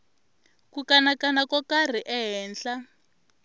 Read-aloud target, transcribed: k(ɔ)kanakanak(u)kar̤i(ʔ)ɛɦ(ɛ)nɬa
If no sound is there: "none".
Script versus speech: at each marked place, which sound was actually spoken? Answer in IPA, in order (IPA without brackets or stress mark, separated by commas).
u, ɔ, ʔ, ɛː